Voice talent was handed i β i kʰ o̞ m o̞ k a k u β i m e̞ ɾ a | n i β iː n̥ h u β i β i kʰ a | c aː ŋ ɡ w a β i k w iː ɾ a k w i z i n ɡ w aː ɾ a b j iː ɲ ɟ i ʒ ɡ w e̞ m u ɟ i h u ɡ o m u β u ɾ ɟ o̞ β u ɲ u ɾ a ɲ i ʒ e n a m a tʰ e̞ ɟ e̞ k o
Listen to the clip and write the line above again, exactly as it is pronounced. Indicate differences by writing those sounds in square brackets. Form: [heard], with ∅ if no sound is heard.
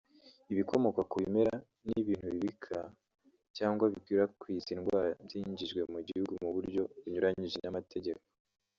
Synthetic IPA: i β i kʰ o̞ m o̞ k a k u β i m e̞ ɾ a | n i β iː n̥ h u β i β i kʰ a | c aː ŋ ɡ w a β i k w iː ɾ a k w i z i n ɡ w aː ɾ a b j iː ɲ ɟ i ʒ ɡ w e̞ m u ɟ i h u ɡ [u] m u β u ɾ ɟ o̞ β u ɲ u ɾ a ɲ i ʒ e n a m a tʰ e̞ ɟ e̞ k o